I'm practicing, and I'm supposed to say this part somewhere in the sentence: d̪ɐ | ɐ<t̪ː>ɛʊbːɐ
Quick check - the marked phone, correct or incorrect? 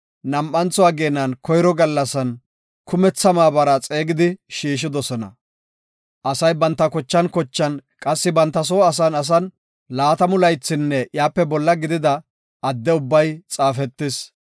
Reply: incorrect